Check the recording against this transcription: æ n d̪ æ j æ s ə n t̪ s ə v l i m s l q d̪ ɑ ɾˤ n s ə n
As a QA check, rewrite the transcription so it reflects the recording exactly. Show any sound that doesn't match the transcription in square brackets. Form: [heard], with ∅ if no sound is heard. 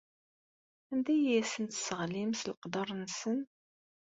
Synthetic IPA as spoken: æ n d̪ æ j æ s ə n t̪ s ə [ʁ] l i m s l q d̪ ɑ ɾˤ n s ə n